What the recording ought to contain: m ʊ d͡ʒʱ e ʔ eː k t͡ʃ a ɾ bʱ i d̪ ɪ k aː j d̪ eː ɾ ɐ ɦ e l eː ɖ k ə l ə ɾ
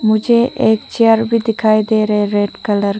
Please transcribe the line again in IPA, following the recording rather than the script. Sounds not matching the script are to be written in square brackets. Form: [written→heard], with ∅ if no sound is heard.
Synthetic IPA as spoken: m ʊ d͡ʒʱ e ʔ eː k t͡ʃ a ɾ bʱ i d̪ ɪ [k→kʰ] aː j d̪ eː ɾ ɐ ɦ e [l→ɾ] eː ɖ k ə l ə ɾ